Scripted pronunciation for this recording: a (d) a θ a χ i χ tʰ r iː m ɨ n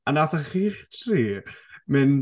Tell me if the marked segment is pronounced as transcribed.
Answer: no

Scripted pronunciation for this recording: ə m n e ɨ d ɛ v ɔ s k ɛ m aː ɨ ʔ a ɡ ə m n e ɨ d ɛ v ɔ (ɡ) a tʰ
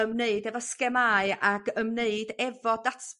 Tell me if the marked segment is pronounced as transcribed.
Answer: no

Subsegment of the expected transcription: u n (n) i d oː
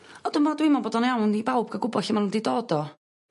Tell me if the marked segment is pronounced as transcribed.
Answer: no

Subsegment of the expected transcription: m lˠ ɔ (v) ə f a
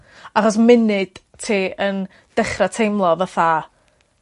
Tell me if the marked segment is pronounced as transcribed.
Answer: yes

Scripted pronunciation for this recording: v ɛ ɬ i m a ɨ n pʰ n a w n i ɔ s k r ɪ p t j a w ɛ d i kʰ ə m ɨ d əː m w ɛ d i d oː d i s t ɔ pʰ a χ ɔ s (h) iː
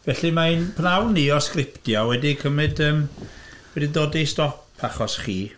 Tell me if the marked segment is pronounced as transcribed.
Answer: no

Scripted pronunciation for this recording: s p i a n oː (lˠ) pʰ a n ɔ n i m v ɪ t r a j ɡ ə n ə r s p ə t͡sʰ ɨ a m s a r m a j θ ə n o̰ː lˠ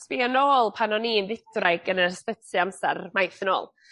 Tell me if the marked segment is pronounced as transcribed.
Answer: yes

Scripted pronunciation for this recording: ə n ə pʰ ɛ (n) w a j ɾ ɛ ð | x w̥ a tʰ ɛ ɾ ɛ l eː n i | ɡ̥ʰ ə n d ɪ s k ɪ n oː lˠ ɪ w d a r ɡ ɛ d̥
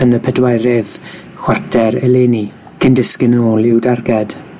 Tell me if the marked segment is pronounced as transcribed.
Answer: no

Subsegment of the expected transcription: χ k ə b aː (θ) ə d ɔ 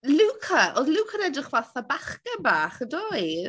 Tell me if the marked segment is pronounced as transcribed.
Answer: no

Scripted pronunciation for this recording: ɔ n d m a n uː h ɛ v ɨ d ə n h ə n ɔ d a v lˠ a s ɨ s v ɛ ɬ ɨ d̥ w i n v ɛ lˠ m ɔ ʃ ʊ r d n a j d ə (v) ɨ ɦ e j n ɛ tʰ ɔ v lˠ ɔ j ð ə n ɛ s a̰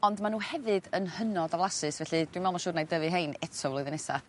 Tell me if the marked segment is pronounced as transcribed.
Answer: yes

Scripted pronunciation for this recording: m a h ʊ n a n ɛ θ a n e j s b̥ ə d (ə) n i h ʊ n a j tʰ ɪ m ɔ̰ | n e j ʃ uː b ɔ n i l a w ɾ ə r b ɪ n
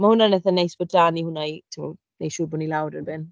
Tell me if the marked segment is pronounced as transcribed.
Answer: no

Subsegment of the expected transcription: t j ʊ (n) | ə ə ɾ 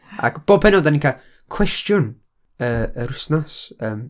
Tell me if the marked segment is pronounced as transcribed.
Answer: yes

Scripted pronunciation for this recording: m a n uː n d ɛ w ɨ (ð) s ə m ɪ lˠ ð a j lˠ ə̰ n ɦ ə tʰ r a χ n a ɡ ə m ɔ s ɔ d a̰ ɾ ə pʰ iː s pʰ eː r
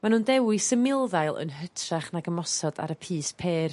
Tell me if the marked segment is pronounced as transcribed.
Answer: no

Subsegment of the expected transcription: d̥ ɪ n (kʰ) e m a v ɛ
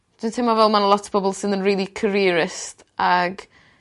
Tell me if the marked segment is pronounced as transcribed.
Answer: no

